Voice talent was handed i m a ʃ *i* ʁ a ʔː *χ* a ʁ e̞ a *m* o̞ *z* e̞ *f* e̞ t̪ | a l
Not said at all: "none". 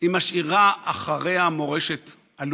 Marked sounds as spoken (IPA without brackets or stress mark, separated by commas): i, χ, m, ʁ, ʃ